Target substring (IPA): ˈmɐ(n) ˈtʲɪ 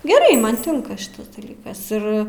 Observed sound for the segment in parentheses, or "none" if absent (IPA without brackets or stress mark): n